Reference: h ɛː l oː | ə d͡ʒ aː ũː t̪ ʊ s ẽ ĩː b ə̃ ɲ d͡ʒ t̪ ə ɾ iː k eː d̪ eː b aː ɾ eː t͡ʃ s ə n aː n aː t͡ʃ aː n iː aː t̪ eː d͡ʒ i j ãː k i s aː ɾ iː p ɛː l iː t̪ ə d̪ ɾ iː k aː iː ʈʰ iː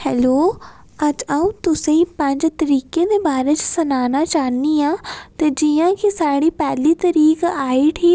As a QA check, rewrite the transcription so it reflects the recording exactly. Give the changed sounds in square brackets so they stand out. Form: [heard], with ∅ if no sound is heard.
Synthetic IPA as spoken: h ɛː l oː | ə d͡ʒ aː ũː t̪ ʊ s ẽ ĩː [p] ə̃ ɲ d͡ʒ t̪ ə ɾ iː k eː d̪ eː b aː ɾ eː t͡ʃ s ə n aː n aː t͡ʃ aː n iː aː t̪ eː d͡ʒ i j ãː k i s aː [ɽ] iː p ɛː l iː t̪ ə [∅] ɾ iː k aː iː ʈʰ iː